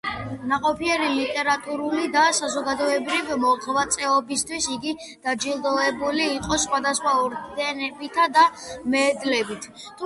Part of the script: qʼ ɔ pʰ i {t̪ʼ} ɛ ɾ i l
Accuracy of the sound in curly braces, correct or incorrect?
incorrect